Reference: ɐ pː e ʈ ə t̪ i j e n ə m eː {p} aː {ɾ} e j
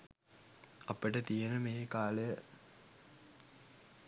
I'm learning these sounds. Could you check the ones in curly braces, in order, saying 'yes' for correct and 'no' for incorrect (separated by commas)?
no, no